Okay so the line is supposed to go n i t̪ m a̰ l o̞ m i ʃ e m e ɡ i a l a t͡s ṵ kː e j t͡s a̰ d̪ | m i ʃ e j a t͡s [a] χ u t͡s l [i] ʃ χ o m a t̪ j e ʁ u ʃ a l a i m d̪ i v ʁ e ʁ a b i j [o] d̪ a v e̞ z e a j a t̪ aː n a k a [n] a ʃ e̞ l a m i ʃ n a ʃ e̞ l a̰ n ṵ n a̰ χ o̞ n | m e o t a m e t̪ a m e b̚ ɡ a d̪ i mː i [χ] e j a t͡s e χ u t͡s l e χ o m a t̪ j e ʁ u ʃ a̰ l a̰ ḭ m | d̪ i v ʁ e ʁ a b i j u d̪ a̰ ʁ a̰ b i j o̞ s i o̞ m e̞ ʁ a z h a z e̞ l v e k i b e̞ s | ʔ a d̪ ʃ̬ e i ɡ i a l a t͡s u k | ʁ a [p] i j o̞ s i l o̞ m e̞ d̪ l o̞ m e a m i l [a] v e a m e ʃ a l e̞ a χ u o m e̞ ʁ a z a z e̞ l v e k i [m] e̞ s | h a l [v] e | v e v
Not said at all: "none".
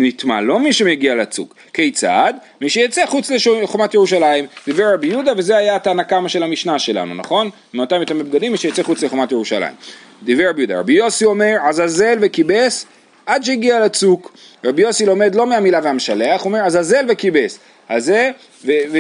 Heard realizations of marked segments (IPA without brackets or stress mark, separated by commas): e, e, u, m, ʃ, b, a, b, z